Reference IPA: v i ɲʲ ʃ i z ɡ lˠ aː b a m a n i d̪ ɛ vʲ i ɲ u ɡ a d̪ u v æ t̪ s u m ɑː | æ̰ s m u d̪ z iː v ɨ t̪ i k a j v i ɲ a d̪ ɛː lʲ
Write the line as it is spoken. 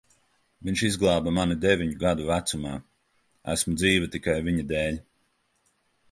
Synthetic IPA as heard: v i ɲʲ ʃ i z ɡ lˠ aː b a m a n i d̪ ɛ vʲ i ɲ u ɡ a d̪ u v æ t̪ s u m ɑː | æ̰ s m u d̪ z iː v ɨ t̪ i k a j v i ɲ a d̪ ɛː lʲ

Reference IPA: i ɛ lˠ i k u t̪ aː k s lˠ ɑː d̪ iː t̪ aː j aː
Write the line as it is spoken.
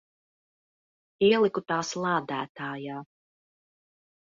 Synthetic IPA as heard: i ɛ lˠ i k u t̪ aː s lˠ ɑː d̪ æː t̪ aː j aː

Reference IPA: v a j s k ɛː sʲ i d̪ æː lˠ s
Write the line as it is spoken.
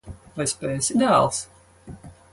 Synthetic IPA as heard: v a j s p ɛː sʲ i d̪ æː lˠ s

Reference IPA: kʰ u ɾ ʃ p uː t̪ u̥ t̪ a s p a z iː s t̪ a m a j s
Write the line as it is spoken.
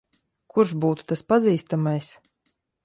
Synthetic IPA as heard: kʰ u ɾ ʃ b uː t̪ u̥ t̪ a s p a z iː s t̪ a m a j s

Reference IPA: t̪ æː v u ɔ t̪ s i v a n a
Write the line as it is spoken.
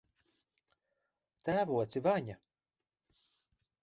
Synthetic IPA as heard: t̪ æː v u ɔ t̪ s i v a ɲ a

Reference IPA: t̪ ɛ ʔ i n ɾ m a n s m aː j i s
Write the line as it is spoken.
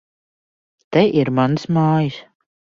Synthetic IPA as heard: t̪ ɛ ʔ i ɾ m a n s m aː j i s

